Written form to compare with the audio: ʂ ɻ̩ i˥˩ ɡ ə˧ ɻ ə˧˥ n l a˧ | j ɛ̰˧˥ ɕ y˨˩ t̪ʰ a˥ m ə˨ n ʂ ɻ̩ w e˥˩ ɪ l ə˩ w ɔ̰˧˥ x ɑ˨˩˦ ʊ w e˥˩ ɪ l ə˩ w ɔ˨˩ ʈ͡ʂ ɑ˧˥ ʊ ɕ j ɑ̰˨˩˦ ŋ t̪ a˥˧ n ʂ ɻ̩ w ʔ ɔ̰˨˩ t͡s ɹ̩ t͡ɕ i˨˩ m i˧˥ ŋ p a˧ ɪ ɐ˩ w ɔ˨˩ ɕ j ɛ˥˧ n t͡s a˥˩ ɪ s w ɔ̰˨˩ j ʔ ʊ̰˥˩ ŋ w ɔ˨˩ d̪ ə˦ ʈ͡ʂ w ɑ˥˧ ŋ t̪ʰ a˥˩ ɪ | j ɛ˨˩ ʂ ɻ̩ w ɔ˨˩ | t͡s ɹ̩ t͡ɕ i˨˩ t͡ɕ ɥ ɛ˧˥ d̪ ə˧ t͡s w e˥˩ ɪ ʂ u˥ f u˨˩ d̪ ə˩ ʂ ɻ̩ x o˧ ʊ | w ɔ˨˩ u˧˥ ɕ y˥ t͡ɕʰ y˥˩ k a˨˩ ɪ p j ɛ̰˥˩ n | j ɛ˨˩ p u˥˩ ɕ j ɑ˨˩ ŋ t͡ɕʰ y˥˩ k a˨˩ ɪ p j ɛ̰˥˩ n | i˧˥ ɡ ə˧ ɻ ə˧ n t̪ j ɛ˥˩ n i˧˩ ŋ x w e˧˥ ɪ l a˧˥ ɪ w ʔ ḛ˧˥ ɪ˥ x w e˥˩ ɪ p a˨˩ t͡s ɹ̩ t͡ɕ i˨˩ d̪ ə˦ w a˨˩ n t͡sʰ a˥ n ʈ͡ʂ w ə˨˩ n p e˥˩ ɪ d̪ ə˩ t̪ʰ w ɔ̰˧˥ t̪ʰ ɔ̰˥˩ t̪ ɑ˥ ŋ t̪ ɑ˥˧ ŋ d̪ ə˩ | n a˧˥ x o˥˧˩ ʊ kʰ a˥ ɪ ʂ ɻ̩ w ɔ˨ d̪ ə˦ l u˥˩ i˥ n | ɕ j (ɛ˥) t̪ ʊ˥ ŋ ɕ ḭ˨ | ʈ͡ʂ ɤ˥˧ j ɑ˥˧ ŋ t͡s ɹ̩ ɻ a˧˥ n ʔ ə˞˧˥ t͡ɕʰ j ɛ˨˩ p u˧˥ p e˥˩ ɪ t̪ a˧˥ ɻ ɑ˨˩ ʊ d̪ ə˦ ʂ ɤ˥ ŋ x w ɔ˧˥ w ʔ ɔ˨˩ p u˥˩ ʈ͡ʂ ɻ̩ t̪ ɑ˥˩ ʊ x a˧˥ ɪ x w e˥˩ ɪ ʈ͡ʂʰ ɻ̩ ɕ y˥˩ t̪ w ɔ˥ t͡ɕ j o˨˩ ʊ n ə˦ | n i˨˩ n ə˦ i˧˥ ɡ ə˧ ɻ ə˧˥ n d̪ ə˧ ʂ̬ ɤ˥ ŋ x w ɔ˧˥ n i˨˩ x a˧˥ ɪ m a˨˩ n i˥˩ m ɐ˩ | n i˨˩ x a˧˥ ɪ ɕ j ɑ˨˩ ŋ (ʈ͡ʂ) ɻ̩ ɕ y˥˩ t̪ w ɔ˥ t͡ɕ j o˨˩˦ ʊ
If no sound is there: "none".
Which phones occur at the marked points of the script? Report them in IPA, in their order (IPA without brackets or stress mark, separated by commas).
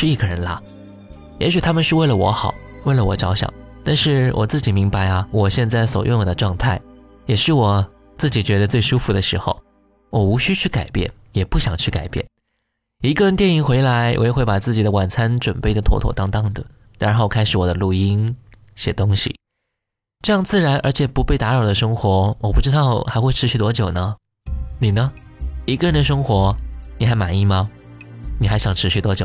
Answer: ɛ˨˩, ʈ͡ʂʰ